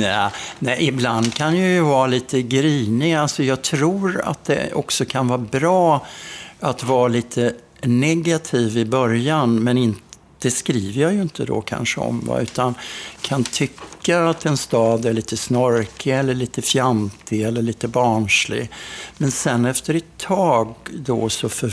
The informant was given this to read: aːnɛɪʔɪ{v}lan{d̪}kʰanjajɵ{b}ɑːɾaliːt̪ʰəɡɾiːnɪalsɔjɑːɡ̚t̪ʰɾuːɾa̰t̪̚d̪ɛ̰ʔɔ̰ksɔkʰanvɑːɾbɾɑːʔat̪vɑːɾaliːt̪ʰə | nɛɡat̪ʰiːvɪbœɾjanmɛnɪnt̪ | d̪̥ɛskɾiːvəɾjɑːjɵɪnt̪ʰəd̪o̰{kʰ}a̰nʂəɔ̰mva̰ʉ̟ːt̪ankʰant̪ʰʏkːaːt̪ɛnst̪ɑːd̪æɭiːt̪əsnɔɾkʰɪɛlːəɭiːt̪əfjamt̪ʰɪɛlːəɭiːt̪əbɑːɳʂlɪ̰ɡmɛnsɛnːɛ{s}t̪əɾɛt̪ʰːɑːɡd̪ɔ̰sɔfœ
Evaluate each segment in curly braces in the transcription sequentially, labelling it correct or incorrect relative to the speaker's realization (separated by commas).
incorrect, correct, incorrect, correct, incorrect